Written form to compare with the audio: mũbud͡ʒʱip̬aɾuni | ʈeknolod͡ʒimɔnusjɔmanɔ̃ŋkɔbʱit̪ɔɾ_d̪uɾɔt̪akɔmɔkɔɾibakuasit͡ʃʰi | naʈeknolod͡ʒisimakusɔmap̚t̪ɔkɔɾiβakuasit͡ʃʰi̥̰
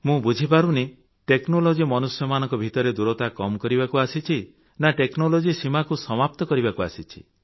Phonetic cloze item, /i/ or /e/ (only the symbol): e